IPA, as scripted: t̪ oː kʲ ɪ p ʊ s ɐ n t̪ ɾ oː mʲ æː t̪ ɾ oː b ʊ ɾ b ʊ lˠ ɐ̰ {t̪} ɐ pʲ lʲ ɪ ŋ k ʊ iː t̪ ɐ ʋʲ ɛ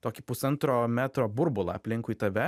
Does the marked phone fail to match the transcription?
yes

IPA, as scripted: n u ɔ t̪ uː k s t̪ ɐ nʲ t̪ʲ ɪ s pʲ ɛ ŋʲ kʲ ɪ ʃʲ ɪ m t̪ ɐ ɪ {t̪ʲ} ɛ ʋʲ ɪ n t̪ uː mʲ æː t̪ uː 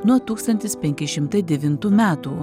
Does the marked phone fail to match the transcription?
yes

